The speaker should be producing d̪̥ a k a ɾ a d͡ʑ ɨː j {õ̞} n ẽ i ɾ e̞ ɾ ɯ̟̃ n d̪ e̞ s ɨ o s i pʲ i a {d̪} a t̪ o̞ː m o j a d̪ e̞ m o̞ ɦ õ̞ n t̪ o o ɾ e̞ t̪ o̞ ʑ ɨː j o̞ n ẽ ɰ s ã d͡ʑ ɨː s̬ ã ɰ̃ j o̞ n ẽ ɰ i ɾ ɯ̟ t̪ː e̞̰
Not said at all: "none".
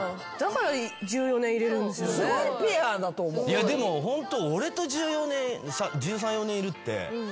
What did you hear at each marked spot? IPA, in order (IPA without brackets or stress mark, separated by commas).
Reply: o̞, d̪